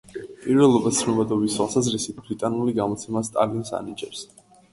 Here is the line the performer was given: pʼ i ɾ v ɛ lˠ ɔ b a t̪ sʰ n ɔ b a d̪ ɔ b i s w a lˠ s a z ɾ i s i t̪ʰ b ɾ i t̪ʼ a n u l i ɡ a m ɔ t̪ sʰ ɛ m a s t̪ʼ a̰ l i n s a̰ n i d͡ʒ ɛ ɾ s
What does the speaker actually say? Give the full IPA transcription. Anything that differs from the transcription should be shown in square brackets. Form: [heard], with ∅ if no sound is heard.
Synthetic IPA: pʼ i ɾ v ɛ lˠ ɔ b a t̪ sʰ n ɔ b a d̪ ɔ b i s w a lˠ s a z ɾ i s i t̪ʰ b ɾ i t̪ʼ a n u l i ɡ a m ɔ t̪ sʰ ɛ m a s t̪ʼ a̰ l i n s a̰ n i d͡ʒ ɛ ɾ s